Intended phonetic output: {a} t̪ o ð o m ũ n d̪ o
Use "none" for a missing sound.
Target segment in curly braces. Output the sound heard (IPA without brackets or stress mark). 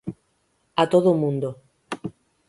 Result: a